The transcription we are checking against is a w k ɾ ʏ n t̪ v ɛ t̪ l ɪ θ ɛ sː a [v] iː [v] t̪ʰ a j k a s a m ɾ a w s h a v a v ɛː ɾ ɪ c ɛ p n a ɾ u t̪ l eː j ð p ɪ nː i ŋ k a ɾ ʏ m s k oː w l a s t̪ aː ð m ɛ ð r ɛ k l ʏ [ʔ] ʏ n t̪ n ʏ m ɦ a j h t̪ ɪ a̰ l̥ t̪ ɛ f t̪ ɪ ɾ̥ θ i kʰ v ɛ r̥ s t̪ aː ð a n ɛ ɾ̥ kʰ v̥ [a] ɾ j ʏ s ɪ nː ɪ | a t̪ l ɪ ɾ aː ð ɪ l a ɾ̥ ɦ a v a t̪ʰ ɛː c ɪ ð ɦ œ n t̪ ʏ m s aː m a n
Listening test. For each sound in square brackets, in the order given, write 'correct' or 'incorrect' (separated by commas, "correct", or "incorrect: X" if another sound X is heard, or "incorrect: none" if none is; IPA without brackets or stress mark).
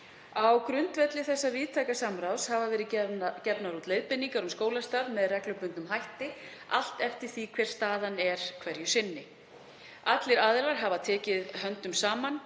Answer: correct, incorrect: ð, incorrect: p, incorrect: ɛ